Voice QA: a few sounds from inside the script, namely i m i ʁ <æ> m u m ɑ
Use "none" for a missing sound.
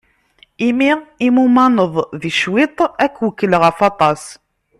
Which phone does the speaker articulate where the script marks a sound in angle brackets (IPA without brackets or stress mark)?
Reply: i